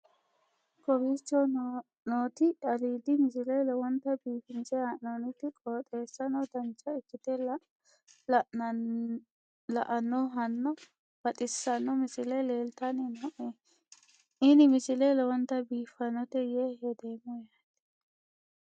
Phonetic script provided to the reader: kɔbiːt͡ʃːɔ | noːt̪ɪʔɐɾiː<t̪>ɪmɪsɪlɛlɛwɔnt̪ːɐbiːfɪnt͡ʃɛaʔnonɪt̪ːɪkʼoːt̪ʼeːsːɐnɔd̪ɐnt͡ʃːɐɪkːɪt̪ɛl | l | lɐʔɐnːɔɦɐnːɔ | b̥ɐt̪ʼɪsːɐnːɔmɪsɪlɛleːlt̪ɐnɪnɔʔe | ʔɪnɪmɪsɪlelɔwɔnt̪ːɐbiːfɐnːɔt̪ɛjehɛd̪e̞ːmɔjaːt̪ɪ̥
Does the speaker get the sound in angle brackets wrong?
yes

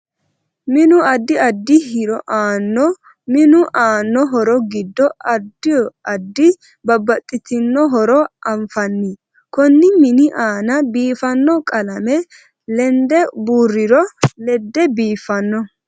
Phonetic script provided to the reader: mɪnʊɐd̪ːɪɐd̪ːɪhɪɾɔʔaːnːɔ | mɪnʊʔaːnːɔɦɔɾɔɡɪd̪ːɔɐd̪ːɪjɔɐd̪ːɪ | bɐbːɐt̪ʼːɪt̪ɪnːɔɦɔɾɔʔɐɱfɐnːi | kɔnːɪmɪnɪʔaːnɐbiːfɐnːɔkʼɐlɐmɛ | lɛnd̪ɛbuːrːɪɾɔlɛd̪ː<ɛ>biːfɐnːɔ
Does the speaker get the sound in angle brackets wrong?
no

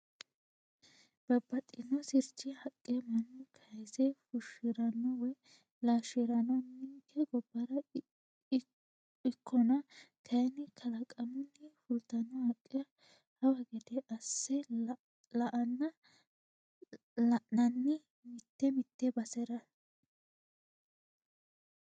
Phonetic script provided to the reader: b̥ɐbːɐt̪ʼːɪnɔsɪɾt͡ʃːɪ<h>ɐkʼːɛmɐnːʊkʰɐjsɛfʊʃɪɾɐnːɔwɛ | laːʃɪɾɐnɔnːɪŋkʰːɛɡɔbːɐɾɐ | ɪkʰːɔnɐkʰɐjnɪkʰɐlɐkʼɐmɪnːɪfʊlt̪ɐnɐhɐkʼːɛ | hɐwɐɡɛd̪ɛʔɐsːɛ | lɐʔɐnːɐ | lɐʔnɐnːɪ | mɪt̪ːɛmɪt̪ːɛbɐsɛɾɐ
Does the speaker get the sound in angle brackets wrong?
no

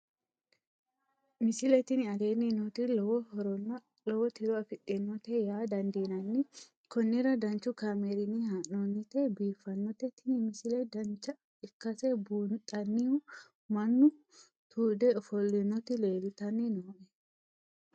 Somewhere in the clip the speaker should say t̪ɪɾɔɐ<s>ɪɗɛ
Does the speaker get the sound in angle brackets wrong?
yes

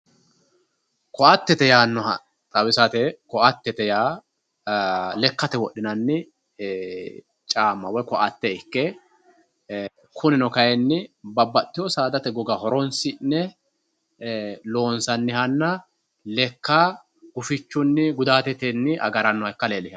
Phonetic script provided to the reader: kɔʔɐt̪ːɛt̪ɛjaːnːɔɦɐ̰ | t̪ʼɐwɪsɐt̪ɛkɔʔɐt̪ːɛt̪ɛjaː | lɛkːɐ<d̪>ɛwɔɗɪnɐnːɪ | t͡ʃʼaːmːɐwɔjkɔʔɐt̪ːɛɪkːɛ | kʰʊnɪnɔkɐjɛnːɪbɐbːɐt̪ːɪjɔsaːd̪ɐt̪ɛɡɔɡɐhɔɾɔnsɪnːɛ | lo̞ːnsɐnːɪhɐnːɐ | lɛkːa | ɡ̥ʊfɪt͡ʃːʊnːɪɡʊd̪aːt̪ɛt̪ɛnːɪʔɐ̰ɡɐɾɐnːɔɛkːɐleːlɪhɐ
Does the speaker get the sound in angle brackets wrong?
yes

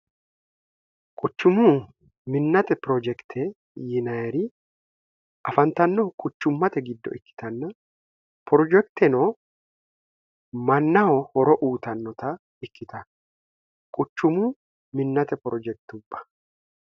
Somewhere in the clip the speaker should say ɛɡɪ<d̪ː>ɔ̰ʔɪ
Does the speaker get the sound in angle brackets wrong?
no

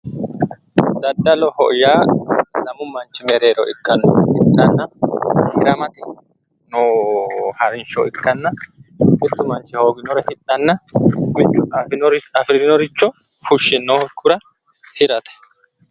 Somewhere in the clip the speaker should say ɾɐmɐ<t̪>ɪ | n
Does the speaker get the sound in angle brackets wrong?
no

